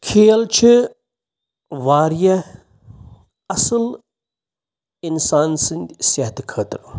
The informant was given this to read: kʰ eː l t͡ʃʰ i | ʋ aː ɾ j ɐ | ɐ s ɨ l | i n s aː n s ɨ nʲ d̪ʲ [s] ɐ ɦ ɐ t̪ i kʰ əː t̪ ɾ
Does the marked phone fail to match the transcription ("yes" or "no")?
no